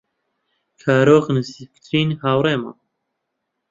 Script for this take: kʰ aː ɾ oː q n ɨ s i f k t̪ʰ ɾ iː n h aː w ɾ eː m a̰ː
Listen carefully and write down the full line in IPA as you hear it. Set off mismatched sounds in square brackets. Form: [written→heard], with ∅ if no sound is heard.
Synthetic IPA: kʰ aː ɾ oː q n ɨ s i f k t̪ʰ ɾ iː n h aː w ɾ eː m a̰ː